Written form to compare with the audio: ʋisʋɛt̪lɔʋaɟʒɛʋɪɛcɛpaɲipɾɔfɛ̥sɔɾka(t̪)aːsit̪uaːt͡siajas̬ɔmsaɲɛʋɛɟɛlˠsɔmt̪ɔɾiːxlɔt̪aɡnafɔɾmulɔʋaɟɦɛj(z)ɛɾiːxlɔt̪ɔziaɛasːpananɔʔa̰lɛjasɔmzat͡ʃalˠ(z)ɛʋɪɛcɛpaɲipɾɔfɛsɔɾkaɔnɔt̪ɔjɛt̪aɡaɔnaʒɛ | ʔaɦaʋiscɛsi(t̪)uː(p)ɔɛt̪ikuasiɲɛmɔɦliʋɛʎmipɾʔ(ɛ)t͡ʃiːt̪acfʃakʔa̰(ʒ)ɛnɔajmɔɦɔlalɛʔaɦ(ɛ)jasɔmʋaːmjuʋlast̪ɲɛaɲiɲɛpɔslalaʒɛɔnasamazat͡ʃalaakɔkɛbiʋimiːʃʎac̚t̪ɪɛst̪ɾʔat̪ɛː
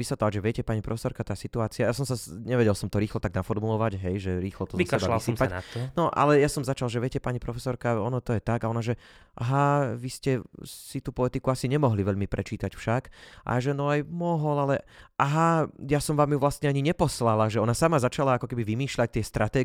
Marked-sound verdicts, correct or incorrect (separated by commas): correct, incorrect, incorrect, correct, correct, correct, correct, incorrect